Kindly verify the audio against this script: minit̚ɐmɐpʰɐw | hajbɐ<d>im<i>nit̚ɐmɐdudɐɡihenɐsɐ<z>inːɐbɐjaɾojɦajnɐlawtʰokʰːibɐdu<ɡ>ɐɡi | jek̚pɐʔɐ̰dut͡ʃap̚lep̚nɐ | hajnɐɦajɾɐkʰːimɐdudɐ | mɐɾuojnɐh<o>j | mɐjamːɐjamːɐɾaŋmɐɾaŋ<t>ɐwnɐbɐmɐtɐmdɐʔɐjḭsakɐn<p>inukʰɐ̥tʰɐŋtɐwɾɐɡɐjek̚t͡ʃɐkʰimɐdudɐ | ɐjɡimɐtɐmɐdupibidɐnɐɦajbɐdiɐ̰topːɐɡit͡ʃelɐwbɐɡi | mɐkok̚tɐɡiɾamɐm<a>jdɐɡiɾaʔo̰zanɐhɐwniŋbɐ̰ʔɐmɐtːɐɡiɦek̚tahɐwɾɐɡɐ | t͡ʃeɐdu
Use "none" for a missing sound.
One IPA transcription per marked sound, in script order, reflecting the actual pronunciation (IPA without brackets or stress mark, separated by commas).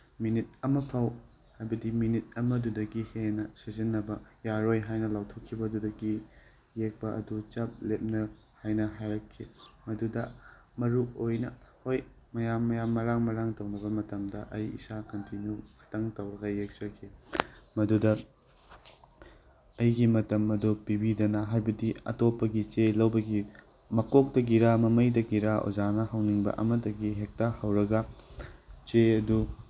d, i, z, d, o, t, t, ɐ